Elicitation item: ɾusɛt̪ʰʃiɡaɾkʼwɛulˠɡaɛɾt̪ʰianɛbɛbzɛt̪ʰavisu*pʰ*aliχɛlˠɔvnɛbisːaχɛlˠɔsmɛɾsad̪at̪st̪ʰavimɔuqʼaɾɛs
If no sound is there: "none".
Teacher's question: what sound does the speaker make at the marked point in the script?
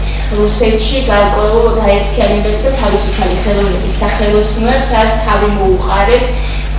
pʰ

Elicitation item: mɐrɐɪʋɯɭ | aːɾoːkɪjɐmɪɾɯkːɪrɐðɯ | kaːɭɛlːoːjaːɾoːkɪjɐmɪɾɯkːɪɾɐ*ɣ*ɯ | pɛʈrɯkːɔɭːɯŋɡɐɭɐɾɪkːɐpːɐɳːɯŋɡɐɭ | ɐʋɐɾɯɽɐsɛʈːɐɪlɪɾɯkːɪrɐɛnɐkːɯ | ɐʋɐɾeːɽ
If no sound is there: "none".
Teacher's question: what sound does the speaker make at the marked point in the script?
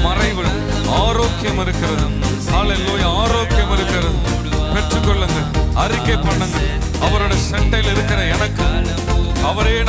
ð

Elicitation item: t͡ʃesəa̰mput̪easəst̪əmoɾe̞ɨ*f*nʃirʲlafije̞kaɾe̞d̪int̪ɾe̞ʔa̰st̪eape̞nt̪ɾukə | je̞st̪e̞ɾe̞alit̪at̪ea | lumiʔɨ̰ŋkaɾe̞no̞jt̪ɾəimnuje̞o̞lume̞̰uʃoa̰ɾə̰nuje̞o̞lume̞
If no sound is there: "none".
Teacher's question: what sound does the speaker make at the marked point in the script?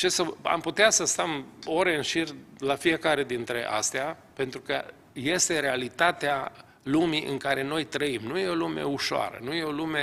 none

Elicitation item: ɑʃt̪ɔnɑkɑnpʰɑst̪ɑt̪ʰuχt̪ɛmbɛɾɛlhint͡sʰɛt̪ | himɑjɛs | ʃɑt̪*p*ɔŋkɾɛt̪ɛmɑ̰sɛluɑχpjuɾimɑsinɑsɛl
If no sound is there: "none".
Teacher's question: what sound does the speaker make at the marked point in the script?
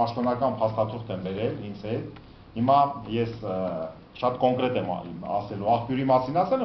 k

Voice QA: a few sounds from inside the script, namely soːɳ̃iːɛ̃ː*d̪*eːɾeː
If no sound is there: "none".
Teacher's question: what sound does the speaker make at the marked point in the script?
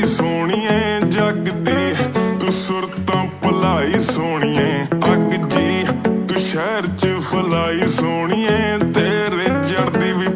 t̪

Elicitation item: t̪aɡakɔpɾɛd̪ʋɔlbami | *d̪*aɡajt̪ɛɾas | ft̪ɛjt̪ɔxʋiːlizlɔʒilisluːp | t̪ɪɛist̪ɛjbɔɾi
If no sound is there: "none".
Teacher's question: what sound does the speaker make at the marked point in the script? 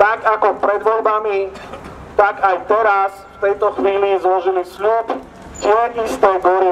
t̪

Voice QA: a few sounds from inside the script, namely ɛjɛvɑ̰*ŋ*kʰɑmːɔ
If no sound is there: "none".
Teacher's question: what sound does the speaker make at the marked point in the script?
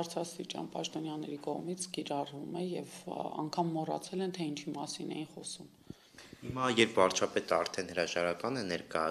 ŋ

